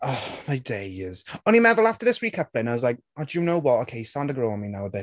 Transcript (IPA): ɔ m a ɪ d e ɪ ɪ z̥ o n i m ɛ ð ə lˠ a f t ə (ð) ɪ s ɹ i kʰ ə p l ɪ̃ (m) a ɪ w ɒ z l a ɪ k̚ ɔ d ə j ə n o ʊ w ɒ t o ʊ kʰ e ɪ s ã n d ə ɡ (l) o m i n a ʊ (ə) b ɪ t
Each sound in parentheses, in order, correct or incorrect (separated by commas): correct, incorrect, incorrect, correct